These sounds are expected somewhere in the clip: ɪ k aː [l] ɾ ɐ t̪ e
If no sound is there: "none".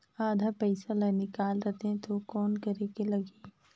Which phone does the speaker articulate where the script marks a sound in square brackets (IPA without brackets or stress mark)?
l